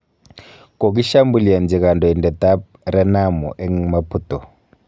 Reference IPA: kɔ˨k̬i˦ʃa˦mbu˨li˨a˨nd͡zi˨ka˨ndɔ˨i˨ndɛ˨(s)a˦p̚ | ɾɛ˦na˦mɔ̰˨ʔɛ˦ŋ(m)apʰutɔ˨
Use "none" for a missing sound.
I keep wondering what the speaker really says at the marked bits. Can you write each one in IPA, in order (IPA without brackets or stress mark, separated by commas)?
t, m